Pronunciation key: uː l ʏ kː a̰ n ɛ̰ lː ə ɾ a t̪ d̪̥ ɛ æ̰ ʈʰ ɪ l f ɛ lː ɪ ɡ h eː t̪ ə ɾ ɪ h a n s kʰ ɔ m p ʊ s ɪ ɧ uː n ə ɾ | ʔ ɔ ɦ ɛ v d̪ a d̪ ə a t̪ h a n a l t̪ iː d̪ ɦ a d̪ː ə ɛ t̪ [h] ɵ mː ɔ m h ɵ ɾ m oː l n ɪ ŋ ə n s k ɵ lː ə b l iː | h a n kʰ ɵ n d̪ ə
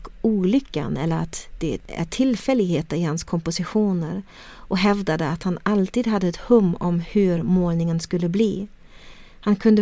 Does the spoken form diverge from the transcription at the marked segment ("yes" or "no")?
no